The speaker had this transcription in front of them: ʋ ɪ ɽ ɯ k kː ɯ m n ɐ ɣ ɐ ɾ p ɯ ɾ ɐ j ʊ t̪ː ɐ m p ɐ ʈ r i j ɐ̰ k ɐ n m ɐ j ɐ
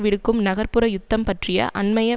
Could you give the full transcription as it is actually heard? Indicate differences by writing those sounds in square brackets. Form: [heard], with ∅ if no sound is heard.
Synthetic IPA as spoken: ʋ ɪ ɽ ɯ k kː ɯ m n ɐ ɣ ɐ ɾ p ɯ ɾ ɐ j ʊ t̪ː ɐ m p ɐ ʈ r [ɪ] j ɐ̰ [ʔ] ɐ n m ɐ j ɐ